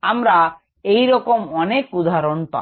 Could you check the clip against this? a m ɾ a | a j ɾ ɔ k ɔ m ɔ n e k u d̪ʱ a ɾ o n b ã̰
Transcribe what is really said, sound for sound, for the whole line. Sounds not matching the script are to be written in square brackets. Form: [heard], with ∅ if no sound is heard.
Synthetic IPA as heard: a m ɾ a | [e] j ɾ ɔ k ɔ m ɔ n e k u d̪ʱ a ɾ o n [p] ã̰